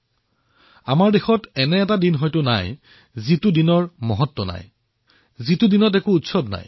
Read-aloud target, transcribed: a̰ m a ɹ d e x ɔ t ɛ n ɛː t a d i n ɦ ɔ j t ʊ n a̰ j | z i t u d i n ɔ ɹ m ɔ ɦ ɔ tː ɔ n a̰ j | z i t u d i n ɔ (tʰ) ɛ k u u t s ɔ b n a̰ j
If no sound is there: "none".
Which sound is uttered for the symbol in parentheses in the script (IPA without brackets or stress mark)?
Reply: t